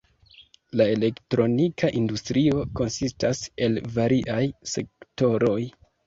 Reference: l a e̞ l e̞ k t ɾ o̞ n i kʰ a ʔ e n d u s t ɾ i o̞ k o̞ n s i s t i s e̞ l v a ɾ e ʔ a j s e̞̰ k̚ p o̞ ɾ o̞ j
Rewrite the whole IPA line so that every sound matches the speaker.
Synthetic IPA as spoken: l a e̞ l e̞ k t ɾ o̞ n i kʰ a ʔ i n d u s t ɾ i o̞ k o̞ n s i s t a s e̞ l v a ɾ i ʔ a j s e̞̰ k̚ t o̞ ɾ o̞ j